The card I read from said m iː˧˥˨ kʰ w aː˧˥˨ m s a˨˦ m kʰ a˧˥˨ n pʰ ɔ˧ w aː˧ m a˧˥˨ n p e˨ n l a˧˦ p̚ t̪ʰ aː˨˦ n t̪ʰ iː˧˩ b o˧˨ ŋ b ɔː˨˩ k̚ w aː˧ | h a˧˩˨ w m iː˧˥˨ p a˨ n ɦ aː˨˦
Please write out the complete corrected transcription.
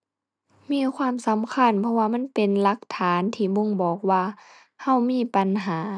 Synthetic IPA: m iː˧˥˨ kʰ w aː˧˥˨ m s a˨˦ m kʰ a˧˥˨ n pʰ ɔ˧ w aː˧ m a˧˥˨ n p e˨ n l a˧˦ k̚ t̪ʰ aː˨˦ n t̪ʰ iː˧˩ b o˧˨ ŋ b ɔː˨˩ k̚ w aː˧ | h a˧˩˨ w m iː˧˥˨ p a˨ n ɦ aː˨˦